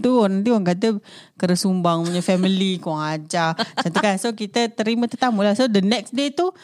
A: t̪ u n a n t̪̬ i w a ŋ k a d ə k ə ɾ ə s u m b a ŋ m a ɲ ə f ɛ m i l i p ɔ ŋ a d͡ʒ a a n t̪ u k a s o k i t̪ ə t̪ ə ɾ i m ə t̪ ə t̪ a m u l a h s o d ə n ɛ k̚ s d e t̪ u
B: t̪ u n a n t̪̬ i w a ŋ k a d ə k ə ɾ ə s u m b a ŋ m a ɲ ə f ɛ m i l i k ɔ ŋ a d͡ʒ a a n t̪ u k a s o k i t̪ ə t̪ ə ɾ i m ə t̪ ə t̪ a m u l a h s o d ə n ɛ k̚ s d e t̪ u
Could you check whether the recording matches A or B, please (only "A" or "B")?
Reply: B